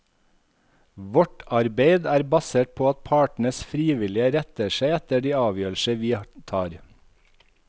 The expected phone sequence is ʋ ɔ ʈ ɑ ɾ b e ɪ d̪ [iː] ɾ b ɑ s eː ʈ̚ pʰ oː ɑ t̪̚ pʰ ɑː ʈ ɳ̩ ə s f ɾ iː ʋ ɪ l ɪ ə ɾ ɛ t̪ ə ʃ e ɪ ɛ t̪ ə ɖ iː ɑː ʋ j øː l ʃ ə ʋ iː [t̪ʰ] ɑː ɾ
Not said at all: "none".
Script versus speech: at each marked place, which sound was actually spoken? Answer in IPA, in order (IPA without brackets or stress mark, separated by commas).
æː, t̪ʰ